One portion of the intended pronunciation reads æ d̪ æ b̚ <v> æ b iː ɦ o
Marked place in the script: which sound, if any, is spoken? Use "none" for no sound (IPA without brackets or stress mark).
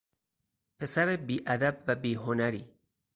v